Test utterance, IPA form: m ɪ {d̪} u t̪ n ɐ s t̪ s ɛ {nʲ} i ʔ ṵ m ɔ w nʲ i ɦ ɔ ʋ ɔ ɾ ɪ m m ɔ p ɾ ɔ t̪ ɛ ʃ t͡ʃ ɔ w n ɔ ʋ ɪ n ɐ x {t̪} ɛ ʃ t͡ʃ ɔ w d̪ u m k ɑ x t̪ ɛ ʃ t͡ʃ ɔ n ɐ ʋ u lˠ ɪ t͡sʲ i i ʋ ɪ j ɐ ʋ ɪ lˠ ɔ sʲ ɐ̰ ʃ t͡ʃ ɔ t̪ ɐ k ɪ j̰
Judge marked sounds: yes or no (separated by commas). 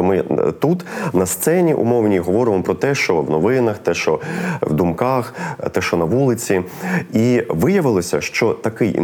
no, yes, yes